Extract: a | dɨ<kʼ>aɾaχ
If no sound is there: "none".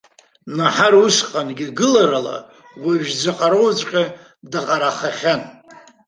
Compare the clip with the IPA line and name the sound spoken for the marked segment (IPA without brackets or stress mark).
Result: qʼ